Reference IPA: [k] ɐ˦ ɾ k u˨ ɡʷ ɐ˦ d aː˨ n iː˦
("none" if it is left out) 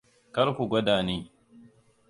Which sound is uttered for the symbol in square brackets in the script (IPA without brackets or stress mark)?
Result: k